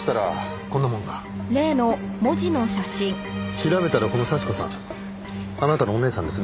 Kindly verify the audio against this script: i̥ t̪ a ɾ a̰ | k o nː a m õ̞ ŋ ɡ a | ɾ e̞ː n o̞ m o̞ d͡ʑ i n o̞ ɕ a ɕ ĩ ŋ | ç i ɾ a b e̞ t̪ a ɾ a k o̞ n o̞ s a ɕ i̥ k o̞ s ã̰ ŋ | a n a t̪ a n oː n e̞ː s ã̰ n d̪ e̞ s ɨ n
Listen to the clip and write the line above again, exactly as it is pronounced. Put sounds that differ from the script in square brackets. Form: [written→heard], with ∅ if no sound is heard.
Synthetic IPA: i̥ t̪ a ɾ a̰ | k o nː a m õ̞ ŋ ɡ a | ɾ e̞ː n o̞ m o̞ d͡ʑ i n o̞ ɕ a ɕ ĩ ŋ | ç i ɾ a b e̞ t̪ a ɾ a k o̞ n o̞ s a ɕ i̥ k o̞ s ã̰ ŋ | a n a t̪ a n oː n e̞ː s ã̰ n d̪ e̞ s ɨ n